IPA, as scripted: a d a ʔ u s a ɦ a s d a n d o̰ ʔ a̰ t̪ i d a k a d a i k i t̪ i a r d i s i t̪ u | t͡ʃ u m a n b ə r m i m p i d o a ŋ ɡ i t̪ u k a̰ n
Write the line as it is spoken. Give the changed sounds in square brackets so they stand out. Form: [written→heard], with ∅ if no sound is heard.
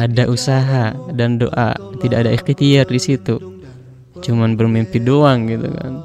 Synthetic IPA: a d a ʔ u s a ɦ a [s→∅] d a n d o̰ ʔ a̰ t̪ i d a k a d a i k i t̪ i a r d i s i t̪ u | t͡ʃ u m a n b ə r m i m p i d o a ŋ ɡ i t̪ u k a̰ n